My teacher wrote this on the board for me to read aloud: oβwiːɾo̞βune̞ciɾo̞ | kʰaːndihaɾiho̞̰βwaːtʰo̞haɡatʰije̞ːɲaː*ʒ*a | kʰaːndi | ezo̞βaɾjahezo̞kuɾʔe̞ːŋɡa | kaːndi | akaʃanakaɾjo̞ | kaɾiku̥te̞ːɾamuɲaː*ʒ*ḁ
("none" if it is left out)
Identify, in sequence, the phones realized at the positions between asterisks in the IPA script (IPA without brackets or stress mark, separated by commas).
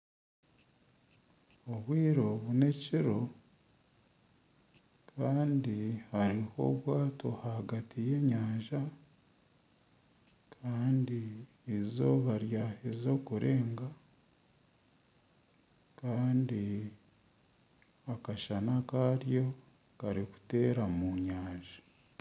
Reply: ʒ, ʒ